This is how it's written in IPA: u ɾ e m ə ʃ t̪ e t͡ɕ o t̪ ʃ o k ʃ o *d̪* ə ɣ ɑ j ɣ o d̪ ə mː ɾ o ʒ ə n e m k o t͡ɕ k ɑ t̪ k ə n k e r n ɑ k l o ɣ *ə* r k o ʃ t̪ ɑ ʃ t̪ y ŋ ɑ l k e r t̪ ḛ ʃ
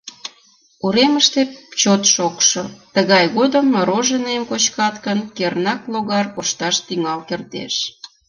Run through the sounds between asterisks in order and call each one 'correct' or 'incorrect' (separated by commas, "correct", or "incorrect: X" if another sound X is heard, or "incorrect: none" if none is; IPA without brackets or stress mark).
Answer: incorrect: t̪, incorrect: ɑ